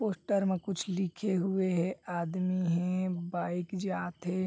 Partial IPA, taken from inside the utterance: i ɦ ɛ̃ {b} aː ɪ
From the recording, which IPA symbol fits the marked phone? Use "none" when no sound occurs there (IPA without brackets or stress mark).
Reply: b